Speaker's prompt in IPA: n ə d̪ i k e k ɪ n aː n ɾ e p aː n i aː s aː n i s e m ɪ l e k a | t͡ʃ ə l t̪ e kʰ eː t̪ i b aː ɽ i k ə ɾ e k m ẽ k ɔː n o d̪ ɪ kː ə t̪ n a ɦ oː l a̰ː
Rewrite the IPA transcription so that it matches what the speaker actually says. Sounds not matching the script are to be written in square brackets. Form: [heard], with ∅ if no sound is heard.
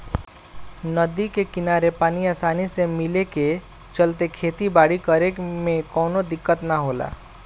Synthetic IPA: n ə d̪ i k e k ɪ n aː [∅] ɾ e p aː n i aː s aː n i s e m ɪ l e k [e] | t͡ʃ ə l t̪ e kʰ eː t̪ i b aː ɽ i k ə ɾ e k m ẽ k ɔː n o d̪ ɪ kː ə t̪ n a ɦ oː l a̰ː